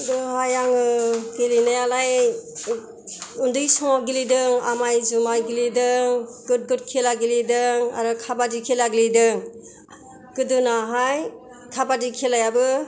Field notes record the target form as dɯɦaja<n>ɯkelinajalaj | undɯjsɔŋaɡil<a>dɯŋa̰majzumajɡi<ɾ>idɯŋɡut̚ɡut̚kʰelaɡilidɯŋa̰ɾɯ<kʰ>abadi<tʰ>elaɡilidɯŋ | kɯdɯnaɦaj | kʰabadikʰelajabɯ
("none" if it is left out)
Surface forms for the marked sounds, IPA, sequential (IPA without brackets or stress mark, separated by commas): ŋ, i, l, kʰ, kʰ